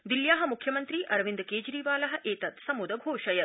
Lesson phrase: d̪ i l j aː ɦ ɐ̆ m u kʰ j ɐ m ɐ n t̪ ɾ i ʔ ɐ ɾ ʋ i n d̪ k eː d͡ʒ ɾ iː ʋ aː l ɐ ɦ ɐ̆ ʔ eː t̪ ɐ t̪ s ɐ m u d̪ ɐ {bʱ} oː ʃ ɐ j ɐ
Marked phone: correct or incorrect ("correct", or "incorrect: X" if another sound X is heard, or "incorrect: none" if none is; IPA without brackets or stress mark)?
incorrect: ɡʱ